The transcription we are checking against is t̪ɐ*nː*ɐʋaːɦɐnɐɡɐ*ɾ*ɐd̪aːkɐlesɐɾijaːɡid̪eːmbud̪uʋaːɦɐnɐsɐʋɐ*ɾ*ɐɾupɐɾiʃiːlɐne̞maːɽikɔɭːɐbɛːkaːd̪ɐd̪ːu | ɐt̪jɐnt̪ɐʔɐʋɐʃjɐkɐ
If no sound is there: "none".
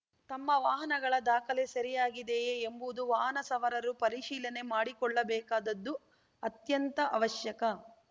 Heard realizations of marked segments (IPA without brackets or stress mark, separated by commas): mː, ɭ, ɾ